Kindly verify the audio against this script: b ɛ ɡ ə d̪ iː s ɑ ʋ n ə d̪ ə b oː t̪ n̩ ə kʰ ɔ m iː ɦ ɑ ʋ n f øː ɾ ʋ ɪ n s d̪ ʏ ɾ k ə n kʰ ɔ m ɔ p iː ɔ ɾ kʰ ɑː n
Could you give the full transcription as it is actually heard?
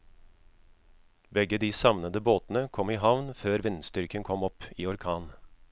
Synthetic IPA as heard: b ɛ ɡ ə d̪ iː s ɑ ʋ n ə d̪ ə b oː t̪ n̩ ə kʰ ɔ m iː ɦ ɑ ʋ n f øː ɾ ʋ ɪ n s t̪ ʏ ɾ k ə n kʰ ɔ m ɔ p iː ɔ ɾ kʰ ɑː n